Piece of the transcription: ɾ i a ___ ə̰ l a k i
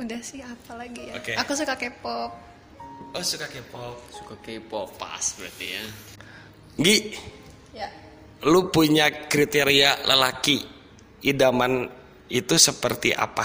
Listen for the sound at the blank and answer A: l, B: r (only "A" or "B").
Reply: A